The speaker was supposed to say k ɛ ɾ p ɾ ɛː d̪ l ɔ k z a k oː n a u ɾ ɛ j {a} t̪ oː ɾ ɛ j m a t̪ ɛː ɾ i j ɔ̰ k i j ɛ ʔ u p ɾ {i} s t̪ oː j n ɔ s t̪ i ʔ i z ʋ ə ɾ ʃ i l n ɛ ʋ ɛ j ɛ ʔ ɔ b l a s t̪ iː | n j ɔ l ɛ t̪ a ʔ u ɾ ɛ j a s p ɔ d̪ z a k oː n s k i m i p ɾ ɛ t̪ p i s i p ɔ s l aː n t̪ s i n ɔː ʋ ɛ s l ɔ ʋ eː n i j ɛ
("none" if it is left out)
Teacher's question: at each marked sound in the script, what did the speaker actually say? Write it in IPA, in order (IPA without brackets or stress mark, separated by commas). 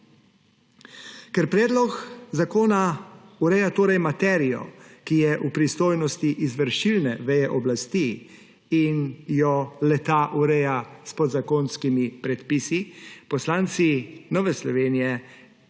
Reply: a, i